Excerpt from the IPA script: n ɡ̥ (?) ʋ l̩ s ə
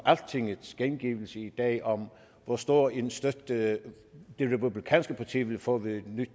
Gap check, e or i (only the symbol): i